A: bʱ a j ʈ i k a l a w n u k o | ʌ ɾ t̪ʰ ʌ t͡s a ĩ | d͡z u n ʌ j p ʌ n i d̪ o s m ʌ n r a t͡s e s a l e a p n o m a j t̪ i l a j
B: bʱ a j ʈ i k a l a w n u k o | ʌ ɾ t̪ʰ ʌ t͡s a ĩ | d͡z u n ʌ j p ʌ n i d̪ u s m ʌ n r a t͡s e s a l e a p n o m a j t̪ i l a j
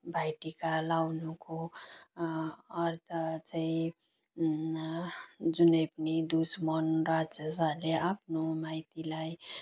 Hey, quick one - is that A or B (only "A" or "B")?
B